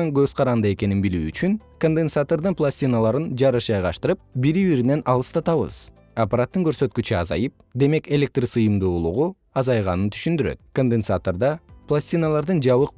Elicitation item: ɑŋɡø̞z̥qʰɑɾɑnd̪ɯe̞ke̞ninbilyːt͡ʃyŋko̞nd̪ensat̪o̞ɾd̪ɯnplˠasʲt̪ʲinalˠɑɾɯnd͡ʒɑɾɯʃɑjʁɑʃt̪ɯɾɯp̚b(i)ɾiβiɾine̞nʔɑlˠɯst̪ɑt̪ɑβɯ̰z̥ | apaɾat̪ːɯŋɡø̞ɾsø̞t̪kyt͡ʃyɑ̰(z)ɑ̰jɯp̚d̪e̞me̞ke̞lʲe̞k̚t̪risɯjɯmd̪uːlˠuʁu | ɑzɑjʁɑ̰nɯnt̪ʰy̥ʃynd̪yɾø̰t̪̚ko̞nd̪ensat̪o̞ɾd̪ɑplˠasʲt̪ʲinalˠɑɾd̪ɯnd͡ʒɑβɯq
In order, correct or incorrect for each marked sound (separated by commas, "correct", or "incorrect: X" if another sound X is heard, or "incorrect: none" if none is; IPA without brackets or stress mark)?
correct, correct